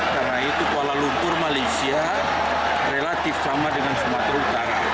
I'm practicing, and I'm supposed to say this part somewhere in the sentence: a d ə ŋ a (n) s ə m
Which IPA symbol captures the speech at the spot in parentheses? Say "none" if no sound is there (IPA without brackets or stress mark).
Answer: n